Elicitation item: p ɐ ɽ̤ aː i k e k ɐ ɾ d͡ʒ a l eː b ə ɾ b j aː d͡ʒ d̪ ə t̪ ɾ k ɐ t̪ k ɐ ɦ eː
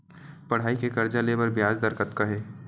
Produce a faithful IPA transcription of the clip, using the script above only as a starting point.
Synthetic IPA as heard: p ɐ ɽ̤ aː i k e k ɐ ɾ d͡ʒ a l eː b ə ɾ b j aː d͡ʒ d̪ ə ɾ k ə t̪ k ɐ ɦ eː

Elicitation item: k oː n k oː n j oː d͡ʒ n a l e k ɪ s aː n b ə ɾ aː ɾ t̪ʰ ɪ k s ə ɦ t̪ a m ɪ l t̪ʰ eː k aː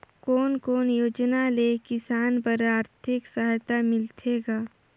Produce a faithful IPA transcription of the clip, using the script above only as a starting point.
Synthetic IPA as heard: k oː n k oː n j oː d͡ʒ n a l e k ɪ s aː n p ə ɾ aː ɾ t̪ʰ ɪ k s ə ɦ t̪ a m ɪ l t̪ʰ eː ɡ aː

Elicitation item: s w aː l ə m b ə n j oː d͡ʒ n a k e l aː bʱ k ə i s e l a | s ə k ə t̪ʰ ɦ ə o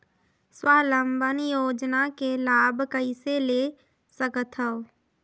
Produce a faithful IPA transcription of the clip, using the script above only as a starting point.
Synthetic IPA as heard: s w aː l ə m b ə n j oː d͡ʒ n a k e l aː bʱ k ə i s e l e | s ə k ə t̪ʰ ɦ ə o

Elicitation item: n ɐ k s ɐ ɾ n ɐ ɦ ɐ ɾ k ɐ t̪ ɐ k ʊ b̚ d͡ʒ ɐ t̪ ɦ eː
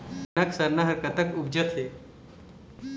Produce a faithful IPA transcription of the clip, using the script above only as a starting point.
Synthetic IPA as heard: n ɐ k s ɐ ɾ n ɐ ɦ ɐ ɾ k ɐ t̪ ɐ k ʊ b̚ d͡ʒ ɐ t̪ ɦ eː

